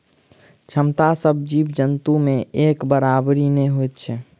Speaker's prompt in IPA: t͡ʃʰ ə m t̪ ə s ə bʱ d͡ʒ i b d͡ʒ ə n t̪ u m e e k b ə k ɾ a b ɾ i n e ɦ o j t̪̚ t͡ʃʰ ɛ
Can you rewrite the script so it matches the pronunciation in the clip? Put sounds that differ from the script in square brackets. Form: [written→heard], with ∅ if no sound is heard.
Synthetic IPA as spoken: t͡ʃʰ ə m t̪ [ə→a] s ə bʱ d͡ʒ i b d͡ʒ ə n t̪ u m e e k b ə [k→∅] ɾ a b ɾ i n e ɦ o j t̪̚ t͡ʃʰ ɛ